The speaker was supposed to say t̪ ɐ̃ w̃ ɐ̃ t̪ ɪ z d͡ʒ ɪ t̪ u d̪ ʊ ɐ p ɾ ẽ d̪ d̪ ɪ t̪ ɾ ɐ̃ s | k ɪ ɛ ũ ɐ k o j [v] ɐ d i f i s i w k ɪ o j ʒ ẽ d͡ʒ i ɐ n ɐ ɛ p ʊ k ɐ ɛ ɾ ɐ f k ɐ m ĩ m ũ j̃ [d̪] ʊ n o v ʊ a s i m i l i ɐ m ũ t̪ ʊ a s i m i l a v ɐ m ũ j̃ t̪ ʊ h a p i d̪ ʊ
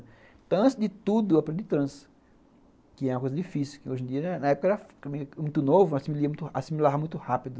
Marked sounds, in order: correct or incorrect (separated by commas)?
incorrect, incorrect